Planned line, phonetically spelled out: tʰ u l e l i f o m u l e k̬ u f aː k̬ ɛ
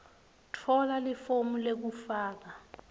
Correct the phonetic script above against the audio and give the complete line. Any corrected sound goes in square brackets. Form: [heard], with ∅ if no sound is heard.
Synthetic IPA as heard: tʰ [ɔ] l [a] l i f o m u l e k̬ u f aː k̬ [a]